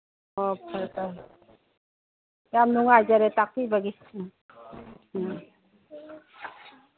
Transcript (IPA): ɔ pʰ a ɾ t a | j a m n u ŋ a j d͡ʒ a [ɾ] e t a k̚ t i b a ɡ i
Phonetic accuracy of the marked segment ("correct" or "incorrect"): correct